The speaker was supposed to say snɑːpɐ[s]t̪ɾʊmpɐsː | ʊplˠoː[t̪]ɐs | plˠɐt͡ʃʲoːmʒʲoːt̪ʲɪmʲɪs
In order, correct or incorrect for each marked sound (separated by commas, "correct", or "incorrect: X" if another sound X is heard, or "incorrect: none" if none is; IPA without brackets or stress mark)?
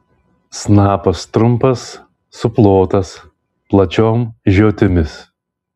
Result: correct, correct